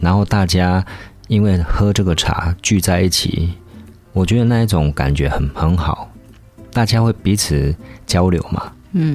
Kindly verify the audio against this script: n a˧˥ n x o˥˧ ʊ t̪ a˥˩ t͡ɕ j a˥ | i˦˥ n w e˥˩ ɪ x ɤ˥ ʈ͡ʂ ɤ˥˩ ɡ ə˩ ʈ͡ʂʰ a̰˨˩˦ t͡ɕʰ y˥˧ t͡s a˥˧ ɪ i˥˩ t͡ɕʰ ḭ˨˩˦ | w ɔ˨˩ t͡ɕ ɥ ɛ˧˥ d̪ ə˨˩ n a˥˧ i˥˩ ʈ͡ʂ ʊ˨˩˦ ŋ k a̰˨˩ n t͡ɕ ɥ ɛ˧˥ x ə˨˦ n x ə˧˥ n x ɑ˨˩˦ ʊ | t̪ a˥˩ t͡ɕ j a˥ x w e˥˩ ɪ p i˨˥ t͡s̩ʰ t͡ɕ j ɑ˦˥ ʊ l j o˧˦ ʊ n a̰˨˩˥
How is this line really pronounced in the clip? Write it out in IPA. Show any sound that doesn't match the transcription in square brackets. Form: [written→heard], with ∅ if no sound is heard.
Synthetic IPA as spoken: n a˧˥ n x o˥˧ ʊ t̪ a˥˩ t͡ɕ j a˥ | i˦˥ n w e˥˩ ɪ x ɤ˥ ʈ͡ʂ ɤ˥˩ ɡ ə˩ ʈ͡ʂʰ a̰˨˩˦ [t͡ɕʰ→t͡ɕ] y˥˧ t͡s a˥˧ ɪ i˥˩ t͡ɕʰ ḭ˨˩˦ | w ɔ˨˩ t͡ɕ ɥ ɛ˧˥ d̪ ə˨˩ n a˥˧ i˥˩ ʈ͡ʂ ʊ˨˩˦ ŋ k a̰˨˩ n t͡ɕ ɥ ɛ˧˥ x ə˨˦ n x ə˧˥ n x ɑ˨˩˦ ʊ | t̪ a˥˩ t͡ɕ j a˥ x w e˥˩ ɪ p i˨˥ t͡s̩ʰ t͡ɕ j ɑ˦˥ ʊ l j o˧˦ ʊ [n→m] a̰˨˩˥